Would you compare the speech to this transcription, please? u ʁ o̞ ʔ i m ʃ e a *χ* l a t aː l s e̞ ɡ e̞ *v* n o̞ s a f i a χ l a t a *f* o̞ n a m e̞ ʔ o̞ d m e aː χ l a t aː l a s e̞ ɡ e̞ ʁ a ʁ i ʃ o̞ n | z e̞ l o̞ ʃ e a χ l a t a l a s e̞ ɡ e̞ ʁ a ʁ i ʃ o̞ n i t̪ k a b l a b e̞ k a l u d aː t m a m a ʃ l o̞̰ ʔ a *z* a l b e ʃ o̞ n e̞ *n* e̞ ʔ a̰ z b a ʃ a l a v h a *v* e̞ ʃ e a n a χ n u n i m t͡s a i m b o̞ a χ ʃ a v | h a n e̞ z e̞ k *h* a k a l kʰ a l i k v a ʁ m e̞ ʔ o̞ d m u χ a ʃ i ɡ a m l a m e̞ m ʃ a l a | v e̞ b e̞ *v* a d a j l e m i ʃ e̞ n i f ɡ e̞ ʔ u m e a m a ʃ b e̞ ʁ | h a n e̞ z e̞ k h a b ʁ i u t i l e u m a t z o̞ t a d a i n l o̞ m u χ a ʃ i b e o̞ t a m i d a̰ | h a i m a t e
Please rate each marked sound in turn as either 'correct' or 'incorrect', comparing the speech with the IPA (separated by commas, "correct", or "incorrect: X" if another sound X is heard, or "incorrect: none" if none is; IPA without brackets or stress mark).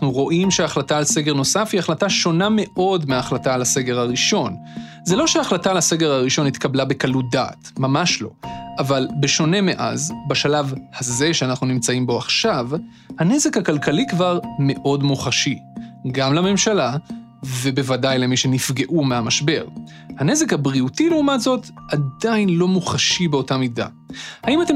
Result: correct, incorrect: ʁ, incorrect: ʃ, incorrect: v, incorrect: m, incorrect: z, correct, correct